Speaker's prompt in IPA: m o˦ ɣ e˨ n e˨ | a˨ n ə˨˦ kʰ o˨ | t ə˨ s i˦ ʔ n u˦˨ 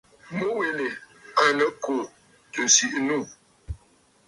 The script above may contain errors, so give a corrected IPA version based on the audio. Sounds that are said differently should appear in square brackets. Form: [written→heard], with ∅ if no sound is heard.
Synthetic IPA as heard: m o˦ [ɣ→w] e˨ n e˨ | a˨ n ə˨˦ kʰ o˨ | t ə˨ s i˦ ʔ n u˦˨